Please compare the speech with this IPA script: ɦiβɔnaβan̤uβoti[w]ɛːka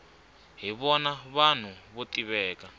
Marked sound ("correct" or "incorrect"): incorrect